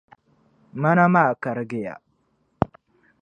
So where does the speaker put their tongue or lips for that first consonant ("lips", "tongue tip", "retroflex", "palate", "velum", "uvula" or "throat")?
lips